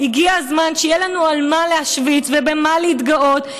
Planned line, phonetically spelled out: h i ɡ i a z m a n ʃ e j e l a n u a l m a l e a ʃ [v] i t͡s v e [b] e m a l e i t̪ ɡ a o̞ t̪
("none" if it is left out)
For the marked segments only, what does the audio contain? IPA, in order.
v, b

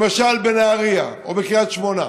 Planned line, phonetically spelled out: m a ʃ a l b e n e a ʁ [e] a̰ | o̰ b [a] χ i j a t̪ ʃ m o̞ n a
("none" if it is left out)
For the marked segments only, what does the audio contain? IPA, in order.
i, e

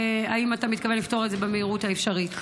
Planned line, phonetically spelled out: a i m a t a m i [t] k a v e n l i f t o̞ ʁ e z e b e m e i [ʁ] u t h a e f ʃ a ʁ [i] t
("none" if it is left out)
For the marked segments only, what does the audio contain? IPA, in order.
t, ʁ, i

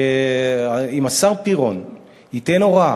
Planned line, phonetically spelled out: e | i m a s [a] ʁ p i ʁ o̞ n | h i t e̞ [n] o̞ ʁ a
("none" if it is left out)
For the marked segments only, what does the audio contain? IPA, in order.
a, n

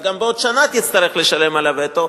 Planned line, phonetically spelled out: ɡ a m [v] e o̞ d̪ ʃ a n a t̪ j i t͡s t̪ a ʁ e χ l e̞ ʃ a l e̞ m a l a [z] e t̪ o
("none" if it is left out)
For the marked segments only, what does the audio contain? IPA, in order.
b, v

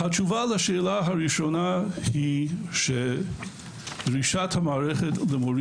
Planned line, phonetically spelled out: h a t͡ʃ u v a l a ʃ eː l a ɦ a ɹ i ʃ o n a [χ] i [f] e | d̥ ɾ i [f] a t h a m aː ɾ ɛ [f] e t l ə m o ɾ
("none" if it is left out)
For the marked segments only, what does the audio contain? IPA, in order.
h, ʃ, ʃ, χ

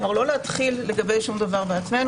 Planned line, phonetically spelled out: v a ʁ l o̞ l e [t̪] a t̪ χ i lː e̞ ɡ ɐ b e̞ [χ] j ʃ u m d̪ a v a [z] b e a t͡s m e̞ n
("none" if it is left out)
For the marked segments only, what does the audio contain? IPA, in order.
none, none, ʁ

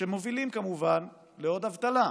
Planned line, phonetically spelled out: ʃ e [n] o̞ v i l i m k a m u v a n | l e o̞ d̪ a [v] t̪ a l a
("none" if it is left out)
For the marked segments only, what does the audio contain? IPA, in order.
m, v

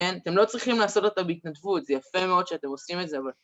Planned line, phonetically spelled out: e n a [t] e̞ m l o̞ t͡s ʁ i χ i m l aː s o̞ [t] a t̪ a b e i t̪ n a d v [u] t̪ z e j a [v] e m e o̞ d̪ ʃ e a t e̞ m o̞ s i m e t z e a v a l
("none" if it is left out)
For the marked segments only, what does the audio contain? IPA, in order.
t, t, u, f

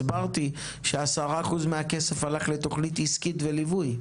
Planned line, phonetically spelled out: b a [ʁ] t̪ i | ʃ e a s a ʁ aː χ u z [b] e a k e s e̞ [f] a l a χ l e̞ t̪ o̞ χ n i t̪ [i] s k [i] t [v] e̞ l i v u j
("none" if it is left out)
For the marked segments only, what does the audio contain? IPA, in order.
ʁ, m, f, i, i, v

